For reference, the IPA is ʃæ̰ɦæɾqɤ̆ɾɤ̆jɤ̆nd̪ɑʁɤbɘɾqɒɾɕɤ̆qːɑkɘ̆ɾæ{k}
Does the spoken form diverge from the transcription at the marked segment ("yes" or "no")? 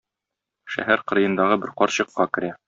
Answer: yes